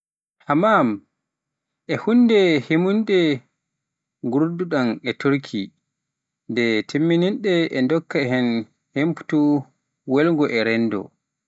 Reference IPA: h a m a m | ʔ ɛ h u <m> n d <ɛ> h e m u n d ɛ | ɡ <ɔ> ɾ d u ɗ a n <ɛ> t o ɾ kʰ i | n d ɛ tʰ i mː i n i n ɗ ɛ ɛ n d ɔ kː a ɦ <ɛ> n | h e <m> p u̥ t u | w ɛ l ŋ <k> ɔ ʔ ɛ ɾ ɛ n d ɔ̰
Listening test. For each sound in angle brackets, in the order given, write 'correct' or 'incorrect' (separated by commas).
incorrect, correct, incorrect, correct, correct, correct, incorrect